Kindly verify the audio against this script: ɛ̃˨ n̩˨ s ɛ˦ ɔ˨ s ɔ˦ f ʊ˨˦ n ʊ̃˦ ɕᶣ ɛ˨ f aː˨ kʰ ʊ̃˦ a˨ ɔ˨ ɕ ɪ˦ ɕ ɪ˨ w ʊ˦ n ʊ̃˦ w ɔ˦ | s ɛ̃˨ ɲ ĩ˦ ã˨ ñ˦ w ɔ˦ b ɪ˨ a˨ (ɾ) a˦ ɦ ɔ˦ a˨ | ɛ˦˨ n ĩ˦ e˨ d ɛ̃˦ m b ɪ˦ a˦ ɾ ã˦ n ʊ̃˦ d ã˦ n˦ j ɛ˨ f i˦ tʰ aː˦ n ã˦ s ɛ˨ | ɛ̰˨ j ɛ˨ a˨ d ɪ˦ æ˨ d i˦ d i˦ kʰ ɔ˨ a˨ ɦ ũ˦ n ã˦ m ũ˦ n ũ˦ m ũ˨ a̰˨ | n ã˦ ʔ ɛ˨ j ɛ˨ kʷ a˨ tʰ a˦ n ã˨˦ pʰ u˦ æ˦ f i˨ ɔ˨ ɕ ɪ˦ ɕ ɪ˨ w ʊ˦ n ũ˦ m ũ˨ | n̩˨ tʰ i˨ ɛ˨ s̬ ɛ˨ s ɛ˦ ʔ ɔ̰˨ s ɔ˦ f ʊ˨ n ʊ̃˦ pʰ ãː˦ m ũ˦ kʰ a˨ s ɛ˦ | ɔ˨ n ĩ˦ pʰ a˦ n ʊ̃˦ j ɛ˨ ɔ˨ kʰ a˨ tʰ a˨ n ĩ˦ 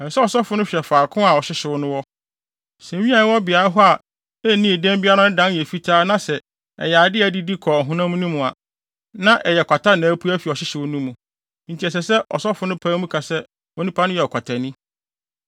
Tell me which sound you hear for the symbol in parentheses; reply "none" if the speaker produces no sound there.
ɾ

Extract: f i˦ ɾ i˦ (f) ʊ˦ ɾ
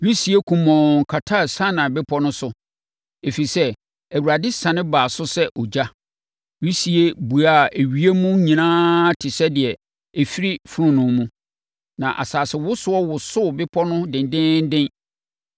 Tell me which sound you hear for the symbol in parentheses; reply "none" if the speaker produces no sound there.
f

